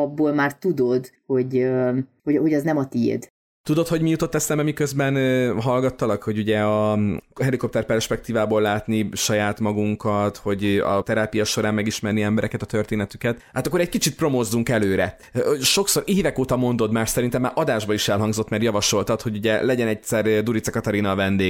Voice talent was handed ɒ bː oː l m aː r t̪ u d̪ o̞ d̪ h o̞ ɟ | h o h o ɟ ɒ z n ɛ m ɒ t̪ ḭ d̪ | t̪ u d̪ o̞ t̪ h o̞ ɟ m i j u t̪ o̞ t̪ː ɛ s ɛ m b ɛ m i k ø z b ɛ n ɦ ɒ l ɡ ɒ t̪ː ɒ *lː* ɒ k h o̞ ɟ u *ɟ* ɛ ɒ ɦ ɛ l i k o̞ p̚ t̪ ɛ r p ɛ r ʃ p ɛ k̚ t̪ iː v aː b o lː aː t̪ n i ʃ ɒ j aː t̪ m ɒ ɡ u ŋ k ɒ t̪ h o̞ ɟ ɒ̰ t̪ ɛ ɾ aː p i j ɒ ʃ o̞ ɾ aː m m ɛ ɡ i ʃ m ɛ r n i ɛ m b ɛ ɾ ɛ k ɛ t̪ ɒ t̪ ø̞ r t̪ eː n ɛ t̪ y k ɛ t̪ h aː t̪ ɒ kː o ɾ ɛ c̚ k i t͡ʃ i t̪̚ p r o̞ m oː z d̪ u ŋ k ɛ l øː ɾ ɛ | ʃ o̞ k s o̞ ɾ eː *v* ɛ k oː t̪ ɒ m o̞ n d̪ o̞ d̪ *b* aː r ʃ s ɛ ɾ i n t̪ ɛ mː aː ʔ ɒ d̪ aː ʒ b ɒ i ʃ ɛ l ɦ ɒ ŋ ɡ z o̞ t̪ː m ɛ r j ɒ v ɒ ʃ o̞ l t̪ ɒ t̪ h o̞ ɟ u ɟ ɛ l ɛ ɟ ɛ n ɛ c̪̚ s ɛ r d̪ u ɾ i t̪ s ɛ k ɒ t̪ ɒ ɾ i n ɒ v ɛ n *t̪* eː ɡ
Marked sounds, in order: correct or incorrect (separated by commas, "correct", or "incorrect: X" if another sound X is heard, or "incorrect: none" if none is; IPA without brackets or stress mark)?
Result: incorrect: l, correct, correct, incorrect: m, incorrect: d̪